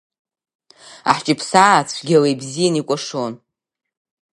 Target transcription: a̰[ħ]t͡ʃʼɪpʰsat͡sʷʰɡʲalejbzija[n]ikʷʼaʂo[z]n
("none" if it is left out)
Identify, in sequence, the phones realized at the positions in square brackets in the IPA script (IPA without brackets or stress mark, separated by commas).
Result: ħ, n, none